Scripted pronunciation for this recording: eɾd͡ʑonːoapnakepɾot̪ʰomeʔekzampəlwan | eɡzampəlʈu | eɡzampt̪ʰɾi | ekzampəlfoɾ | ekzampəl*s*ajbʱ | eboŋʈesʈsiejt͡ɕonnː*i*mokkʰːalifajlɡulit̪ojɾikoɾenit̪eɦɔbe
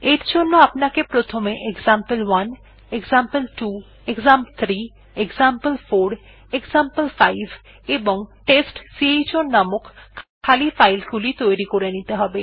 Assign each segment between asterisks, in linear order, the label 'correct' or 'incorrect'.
incorrect, incorrect

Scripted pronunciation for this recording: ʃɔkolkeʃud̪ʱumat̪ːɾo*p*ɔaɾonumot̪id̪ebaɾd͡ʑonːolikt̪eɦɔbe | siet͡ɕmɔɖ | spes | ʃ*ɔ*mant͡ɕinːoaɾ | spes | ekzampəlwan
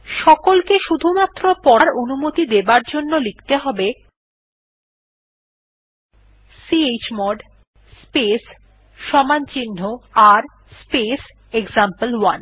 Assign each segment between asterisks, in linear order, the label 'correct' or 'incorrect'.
correct, correct

